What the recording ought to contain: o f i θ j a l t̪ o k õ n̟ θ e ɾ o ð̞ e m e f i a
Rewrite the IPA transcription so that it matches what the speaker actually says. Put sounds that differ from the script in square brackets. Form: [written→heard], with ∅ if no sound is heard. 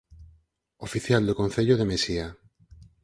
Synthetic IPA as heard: o f i θ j a l [t̪→d̪] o k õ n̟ θ e [ɾ→ʎ] o ð̞ e m e [f→s] i a